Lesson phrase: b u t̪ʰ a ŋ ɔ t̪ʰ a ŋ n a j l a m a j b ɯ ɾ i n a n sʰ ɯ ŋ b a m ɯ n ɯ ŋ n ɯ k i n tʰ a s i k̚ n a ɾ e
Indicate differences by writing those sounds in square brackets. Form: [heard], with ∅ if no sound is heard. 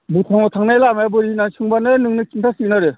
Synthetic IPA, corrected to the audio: b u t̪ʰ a ŋ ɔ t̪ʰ a ŋ n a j l a m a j b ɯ ɾ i n a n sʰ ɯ ŋ b a [n] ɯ n ɯ ŋ n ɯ k i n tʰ a s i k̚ n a ɾ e

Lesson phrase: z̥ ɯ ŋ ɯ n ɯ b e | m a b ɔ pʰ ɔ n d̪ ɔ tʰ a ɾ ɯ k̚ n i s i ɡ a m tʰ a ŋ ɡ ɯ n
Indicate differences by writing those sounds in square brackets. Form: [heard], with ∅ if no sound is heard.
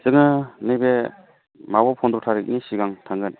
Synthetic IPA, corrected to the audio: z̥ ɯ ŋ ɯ n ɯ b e | m a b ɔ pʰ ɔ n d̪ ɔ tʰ a ɾ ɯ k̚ n i s i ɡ a [ŋ] tʰ a ŋ ɡ ɯ n

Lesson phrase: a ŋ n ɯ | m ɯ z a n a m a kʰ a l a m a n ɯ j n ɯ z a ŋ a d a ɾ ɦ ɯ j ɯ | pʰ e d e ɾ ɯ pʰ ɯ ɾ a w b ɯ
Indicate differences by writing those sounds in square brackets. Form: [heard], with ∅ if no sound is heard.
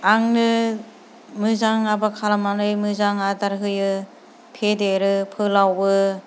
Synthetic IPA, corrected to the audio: a ŋ n ɯ | m ɯ z a [ŋ] a [b] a kʰ a l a m a n ɯ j [m] ɯ z a ŋ a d a ɾ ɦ ɯ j ɯ | pʰ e d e ɾ ɯ pʰ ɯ [l] a w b ɯ

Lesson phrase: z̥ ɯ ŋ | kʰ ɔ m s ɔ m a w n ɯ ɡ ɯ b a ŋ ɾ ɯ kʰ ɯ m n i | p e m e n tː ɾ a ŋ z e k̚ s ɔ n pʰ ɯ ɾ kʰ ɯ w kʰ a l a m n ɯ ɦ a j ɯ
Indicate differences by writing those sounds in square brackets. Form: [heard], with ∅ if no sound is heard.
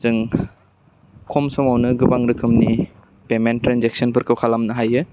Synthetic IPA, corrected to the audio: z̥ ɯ ŋ | kʰ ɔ m s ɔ m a w n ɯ ɡ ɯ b a ŋ ɾ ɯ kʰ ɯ m n i | p e m e n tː ɾ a [n] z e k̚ s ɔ n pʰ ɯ ɾ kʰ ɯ w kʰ a l a m n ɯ ɦ a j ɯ

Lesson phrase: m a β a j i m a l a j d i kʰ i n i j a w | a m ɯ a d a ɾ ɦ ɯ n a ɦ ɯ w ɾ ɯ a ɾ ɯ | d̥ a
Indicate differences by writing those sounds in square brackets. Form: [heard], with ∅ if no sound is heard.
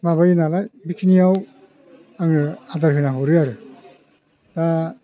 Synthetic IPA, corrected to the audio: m a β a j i [n] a l a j [b] i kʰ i n i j a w | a [ŋ] ɯ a d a ɾ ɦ ɯ n a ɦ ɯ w ɾ ɯ a ɾ ɯ | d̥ a

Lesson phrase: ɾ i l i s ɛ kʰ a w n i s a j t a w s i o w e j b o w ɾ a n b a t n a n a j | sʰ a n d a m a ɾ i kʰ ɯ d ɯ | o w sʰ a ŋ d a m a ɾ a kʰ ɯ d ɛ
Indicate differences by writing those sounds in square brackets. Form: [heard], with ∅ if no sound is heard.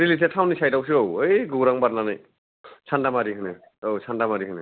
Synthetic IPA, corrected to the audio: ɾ i l i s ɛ [tʰ] a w n i s a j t a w s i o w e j [ɡ] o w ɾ a [ŋ] b a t n a n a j | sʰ a n d a m a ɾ i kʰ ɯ [n] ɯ | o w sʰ a [n] d a m a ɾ [i] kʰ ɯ [n] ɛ

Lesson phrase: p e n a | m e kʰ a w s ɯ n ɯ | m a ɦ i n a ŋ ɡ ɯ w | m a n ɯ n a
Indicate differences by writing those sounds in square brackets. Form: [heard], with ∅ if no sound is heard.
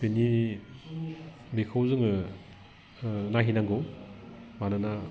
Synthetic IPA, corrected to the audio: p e n [i] | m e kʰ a w [z] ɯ [ŋ] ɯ | [n] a ɦ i n a ŋ ɡ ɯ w | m a n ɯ n a

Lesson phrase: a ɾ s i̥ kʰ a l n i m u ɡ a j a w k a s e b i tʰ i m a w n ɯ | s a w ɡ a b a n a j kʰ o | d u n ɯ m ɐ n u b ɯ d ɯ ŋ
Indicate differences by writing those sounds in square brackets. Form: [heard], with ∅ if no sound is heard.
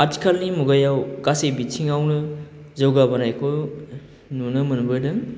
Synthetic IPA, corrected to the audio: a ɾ [t] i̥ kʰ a l n i m u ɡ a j a w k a s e b i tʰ i [ŋ] a w n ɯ | [z] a w ɡ a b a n a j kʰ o | [n] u n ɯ m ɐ n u b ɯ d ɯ ŋ

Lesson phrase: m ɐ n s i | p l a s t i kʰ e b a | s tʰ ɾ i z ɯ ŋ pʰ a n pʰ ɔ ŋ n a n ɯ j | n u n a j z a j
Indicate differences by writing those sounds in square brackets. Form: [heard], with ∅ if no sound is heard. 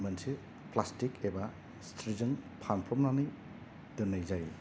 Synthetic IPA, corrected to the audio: m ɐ n s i | p l a s t i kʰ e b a | s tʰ ɾ i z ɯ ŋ pʰ a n pʰ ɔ [m] n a n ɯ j | [d] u n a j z a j

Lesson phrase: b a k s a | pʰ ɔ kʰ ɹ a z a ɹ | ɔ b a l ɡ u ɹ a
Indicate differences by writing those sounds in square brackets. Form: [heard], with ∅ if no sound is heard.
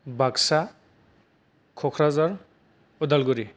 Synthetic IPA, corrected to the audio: b a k s a | [kʰ] ɔ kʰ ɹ a z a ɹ | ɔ [d] a l ɡ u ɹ [i]

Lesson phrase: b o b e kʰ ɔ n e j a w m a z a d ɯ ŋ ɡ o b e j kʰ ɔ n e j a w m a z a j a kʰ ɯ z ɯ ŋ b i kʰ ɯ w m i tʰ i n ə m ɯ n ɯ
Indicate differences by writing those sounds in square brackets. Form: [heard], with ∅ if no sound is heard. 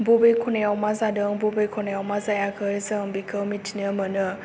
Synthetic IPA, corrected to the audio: b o b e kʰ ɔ n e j a w m a z a d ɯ ŋ [b] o b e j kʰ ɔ n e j a w m a z a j a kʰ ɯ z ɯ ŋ b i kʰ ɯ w m i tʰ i n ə m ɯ n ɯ

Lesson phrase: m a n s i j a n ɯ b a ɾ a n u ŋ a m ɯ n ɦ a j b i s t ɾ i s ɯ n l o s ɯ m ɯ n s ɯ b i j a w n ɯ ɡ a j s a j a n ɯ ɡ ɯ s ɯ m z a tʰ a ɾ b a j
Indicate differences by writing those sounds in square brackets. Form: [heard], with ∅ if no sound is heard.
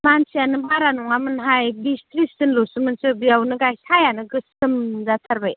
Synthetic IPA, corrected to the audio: m a n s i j a n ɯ b a ɾ a n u ŋ a m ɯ n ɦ a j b i s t ɾ i s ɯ n l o s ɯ m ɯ n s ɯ b i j a w n ɯ ɡ a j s a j a n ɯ ɡ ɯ s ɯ m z a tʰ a ɾ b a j

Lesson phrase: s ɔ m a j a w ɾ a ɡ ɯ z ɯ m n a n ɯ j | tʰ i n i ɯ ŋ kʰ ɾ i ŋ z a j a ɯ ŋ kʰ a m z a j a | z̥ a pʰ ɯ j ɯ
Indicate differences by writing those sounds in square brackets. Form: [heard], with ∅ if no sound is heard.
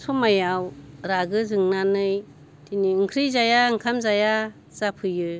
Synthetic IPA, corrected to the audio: s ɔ m a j a w ɾ a ɡ ɯ z ɯ [ŋ] n a n ɯ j | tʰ i n i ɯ ŋ kʰ ɾ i [∅] z a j a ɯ ŋ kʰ a m z a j a | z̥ a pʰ ɯ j ɯ

